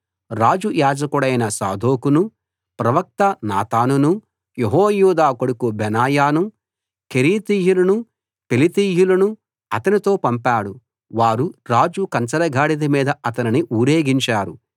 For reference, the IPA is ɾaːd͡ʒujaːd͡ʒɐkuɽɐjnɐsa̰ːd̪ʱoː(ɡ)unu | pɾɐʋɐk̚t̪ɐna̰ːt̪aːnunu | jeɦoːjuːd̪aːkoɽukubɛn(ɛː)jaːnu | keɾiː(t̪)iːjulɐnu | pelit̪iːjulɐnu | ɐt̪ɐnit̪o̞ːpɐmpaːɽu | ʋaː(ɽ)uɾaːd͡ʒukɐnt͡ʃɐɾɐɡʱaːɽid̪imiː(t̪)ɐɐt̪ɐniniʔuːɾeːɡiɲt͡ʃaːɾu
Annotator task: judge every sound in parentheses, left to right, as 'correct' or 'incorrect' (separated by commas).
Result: incorrect, incorrect, correct, incorrect, incorrect